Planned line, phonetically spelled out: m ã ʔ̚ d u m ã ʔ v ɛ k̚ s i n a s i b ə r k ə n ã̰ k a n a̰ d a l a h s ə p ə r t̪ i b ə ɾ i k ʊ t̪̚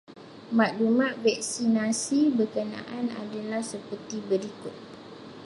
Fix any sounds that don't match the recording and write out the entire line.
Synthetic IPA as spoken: m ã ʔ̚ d u m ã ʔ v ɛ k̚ s i n a s i b ə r k ə n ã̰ ʔ a n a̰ d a l a h s ə p ə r t̪ i b ə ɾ i k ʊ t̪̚